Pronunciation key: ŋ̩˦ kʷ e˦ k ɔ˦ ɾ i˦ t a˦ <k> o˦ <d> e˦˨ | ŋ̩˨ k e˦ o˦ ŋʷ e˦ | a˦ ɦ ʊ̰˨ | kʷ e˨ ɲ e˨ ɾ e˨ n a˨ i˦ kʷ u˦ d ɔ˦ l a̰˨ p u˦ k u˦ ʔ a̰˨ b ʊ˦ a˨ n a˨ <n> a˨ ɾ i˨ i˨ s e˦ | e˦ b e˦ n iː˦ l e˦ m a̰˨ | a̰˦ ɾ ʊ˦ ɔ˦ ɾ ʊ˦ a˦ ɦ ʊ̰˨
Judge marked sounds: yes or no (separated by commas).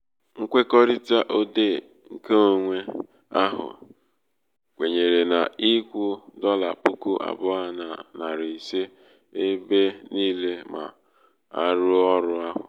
no, yes, yes